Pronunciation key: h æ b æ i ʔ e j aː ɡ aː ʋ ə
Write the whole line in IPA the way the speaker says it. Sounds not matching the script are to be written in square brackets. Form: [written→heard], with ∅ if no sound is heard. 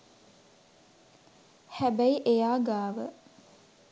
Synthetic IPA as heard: h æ b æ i ʔ e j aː ɡ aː ʋ ə